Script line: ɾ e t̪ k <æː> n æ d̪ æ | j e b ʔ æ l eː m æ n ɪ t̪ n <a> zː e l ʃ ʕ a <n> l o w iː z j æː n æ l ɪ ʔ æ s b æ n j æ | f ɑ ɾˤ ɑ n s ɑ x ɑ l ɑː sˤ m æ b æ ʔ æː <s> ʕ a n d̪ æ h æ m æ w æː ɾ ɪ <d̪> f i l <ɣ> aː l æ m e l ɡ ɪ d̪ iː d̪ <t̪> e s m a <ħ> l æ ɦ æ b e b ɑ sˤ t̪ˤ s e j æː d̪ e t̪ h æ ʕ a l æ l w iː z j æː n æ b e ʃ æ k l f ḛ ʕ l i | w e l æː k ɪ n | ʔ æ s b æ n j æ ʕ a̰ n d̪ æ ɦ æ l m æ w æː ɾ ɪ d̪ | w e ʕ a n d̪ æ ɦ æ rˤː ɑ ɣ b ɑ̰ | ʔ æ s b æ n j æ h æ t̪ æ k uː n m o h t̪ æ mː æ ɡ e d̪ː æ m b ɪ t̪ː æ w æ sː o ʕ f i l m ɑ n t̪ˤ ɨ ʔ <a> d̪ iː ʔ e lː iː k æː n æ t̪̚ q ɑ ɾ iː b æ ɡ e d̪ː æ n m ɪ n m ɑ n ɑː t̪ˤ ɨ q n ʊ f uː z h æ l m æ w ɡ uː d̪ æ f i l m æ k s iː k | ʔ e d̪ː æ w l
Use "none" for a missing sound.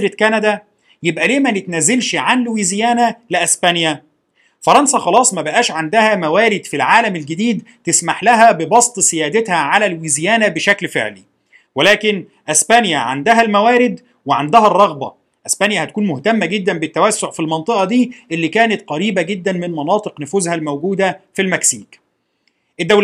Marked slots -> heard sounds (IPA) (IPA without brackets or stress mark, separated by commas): æ, æ, n, ʃ, d̪, ʕ, t̪, ħ, ɑ